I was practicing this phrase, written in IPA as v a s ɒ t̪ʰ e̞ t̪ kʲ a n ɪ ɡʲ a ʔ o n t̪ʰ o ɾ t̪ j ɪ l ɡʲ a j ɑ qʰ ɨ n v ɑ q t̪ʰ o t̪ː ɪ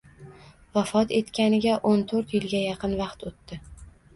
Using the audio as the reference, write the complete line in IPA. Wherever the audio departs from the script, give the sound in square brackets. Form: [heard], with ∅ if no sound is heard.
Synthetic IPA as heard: v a [f] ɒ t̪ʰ e̞ t̪ kʲ a n ɪ ɡʲ a ʔ o n t̪ʰ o ɾ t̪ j ɪ l ɡʲ a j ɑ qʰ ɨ n v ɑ q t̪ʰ o t̪ː ɪ